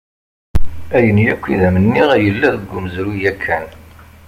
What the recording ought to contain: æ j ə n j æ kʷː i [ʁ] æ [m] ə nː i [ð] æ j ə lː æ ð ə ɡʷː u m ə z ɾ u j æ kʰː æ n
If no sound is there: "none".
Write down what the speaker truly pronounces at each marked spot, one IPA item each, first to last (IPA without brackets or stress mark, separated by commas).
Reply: ð, m, ʁ